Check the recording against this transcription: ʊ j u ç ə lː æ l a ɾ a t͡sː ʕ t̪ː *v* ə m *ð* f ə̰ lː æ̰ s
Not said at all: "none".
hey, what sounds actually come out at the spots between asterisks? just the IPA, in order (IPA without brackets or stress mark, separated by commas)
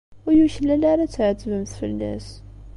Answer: v, θ